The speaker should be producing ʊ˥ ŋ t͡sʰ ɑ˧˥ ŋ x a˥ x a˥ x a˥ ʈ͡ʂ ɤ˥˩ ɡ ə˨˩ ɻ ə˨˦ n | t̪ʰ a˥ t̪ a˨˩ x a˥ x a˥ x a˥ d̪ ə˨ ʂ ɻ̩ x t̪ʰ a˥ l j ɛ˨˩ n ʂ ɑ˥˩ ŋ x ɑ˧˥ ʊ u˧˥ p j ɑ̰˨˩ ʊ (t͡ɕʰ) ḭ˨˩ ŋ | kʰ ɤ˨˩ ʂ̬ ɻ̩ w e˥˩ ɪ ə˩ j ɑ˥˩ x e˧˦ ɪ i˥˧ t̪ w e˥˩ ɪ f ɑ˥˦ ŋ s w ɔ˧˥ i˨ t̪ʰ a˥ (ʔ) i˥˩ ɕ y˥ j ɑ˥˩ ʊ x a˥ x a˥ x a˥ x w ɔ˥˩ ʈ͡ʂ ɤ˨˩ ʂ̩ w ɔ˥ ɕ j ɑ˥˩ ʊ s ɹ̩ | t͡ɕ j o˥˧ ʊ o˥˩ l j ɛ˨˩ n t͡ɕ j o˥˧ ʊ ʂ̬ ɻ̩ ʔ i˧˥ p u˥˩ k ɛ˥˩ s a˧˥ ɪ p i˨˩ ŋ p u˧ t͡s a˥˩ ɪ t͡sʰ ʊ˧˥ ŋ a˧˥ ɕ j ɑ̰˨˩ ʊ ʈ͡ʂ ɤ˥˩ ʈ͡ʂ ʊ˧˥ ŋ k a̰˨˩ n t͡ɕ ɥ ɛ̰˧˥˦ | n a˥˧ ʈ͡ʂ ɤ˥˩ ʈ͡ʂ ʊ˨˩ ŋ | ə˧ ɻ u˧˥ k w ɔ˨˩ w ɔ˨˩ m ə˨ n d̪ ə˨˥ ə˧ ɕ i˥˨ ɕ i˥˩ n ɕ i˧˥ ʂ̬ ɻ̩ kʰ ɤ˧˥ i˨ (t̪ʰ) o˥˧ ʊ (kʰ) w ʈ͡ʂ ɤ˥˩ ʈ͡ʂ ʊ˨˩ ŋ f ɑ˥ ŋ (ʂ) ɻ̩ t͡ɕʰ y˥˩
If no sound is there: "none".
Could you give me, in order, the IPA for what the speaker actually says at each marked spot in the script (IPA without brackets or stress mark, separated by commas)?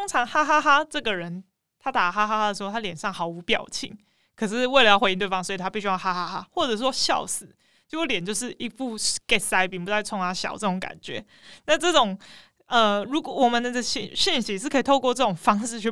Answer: t͡ɕʰ, p, t̪ʰ, k, ʂ